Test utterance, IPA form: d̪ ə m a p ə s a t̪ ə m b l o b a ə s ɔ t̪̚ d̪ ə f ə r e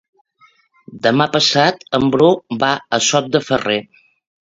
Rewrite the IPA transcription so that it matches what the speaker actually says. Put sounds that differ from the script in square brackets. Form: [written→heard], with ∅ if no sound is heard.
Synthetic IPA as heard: d̪ ə m a p ə s a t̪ ə m b [l→ɾ] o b a ə s ɔ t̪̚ d̪ ə f ə r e